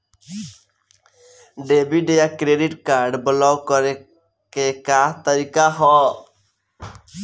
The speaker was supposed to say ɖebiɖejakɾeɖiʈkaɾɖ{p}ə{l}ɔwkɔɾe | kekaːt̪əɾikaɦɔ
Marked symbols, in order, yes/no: no, yes

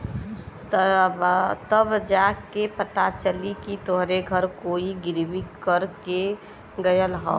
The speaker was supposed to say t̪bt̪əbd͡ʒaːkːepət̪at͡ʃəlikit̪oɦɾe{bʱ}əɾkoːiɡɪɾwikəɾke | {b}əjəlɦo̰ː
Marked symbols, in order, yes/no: no, no

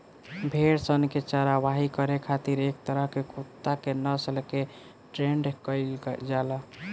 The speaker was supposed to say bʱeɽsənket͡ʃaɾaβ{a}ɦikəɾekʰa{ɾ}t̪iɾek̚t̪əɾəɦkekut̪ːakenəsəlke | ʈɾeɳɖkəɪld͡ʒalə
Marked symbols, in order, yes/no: yes, no

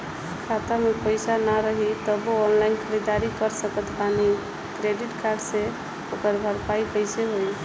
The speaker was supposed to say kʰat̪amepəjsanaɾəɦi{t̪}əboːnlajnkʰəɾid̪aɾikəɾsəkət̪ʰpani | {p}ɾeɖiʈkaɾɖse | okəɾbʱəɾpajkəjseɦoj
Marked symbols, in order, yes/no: yes, no

